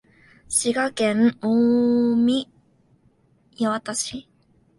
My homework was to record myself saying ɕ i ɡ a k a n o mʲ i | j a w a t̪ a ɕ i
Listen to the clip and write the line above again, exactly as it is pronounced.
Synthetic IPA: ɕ i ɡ a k e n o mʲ i | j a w a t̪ a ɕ i

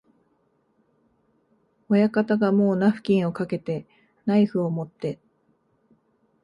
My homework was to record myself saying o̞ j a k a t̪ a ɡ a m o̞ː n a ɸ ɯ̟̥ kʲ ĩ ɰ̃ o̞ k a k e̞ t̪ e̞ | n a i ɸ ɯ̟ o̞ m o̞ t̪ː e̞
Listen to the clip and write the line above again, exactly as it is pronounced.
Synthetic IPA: o̞ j a k a t̪ a ɡ a m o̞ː n a ɸ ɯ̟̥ kʲ ĩ ɰ̃ o̞ k a k e̞ t̪ e̞ | n a i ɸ ɯ̟ o̞ m o̞ t̪ː e̞

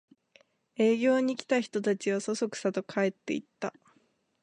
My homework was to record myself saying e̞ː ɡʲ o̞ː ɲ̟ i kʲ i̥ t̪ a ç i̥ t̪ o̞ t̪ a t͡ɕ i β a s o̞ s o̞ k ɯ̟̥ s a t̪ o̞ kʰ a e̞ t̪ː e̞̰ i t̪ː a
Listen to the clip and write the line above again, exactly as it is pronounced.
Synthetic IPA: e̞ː ɡʲ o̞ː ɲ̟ i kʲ i̥ t̪ a ç i̥ t̪ o̞ t̪ a t͡ɕ i β a s o̞ s o̞ k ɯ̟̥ s a t̪ o̞ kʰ a e̞ t̪ː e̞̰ i t̪ː a

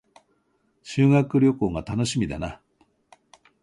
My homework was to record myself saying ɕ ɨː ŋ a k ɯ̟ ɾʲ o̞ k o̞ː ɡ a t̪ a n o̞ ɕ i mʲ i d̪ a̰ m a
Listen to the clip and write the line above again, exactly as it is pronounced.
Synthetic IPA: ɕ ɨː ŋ a k ɯ̟ ɾʲ o̞ k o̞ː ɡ a t̪ a n o̞ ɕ i mʲ i d̪ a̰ n a

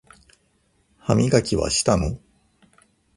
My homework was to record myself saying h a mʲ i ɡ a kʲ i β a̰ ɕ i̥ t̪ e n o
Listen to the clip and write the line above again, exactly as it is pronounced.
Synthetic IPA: h a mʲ i ɡ a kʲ i β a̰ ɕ i̥ t̪ a n o

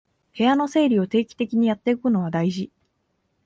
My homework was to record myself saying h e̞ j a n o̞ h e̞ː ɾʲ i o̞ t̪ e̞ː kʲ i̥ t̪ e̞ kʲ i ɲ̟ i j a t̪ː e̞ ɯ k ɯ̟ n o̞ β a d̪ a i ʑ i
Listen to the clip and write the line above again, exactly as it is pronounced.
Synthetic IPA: h e̞ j a n o̞ s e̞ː ɾʲ i o̞ t̪ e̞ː kʲ i̥ t̪ e̞ kʲ i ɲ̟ i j a t̪ː e̞ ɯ k ɯ̟ n o̞ β a d̪ a i ʑ i

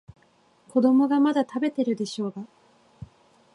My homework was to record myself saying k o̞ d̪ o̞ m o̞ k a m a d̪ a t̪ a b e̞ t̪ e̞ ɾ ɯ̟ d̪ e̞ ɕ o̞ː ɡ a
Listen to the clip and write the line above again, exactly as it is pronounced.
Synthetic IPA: k o̞ d̪ o̞ m o̞ ɡ a m a d̪ a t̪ a b e̞ t̪ e̞ ɾ ɯ̟ d̪ e̞ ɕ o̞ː ɡ a

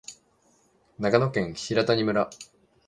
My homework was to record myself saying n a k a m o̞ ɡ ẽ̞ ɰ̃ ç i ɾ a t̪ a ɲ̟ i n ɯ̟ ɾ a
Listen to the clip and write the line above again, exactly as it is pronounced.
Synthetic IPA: n a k a n o̞ k ẽ̞ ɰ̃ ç i ɾ a t̪ a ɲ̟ i m ɯ̟ ɾ a

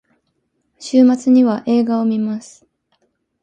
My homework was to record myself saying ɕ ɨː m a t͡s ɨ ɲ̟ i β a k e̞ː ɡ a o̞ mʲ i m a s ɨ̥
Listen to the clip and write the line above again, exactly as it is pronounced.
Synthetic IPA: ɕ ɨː m a t͡s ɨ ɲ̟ i β a ʔ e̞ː ɡ a o̞ mʲ i m a s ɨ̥

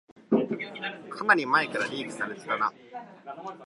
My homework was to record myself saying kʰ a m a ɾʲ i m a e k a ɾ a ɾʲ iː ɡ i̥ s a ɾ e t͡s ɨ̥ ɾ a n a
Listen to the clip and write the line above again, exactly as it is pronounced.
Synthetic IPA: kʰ a n a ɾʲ i m a e k a ɾ a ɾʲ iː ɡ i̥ s a ɾ e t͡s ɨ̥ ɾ a n a

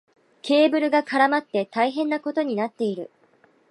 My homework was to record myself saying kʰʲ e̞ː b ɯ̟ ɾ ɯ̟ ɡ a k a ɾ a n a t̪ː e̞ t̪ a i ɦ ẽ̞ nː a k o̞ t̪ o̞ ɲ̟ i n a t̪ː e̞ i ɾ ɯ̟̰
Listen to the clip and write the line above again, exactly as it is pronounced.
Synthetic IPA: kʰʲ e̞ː b ɯ̟ ɾ ɯ̟ ɡ a k a ɾ a m a t̪ː e̞ t̪ a i ɦ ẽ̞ nː a k o̞ t̪ o̞ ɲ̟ i n a t̪ː e̞ i ɾ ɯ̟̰

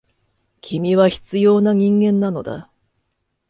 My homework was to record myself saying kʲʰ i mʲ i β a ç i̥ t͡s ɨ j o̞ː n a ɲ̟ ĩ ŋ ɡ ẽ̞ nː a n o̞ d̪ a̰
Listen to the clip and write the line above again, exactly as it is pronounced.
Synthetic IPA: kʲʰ i mʲ i β a ç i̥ t͡s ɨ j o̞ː n a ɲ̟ ĩ ŋ ɡ ẽ̞ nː a n o̞ d̪ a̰

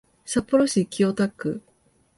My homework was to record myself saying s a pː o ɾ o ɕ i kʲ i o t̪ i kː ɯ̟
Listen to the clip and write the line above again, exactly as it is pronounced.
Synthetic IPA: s a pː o ɾ o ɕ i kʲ i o t̪ a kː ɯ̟

